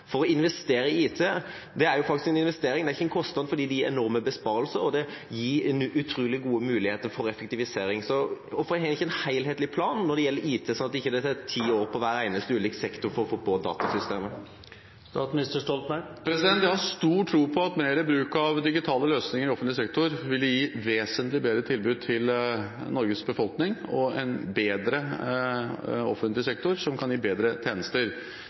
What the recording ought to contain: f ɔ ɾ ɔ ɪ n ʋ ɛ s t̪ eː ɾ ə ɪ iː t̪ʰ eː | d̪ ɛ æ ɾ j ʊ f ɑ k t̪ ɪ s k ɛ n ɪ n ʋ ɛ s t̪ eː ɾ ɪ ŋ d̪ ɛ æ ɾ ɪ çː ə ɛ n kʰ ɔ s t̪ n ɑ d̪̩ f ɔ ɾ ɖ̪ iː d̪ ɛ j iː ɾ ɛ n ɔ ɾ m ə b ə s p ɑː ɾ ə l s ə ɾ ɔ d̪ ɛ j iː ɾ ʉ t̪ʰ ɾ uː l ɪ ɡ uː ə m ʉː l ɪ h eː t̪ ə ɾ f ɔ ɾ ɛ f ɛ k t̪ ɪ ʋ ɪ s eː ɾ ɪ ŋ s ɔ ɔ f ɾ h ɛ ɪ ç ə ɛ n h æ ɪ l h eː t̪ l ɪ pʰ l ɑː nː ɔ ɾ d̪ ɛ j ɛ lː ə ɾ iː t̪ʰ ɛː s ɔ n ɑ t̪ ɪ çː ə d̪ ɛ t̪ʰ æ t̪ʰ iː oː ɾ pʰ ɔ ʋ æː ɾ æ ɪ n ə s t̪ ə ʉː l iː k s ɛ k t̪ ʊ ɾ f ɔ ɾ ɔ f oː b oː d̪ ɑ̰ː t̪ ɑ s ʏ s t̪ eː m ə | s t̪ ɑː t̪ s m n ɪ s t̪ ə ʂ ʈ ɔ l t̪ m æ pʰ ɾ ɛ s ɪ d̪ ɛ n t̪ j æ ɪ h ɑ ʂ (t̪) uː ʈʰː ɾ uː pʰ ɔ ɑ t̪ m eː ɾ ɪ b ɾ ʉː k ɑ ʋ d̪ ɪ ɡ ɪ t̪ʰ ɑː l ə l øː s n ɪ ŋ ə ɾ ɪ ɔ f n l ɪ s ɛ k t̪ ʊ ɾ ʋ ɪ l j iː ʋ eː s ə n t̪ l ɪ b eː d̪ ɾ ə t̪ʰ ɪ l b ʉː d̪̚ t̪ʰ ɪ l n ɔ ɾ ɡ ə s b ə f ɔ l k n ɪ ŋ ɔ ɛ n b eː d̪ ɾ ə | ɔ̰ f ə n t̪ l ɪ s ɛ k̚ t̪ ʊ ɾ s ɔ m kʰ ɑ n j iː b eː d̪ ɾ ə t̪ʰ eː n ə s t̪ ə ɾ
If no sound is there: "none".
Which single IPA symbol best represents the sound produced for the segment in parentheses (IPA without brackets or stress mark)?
t̪